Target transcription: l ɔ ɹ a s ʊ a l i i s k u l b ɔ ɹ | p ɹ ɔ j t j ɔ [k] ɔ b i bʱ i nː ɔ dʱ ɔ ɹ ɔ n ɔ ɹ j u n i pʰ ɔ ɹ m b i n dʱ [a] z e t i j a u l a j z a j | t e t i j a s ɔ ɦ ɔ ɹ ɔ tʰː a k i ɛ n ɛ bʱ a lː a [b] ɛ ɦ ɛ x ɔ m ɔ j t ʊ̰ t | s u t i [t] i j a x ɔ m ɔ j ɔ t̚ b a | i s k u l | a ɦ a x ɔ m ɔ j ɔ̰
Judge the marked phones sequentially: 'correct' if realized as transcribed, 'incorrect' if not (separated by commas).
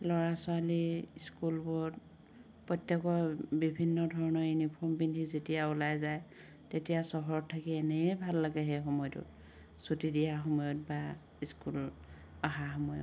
correct, incorrect, incorrect, incorrect